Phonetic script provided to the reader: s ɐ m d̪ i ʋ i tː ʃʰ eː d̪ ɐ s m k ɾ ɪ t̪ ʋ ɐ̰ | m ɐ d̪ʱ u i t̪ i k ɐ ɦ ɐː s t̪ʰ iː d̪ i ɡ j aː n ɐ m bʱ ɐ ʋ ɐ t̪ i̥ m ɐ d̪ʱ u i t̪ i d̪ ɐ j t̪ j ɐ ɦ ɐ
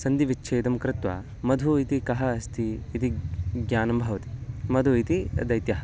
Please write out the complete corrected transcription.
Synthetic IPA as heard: s ɐ n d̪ i ʋ i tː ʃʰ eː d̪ ɐ m k ɾ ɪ t̪ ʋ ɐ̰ | m ɐ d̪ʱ u i t̪ i k ɐ ɦ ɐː s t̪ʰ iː t̪ i ɡ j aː n ɐ m bʱ ɐ ʋ ɐ t̪ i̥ m ɐ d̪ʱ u i t̪ i d̪ ɐ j t̪ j ɐ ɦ ɐ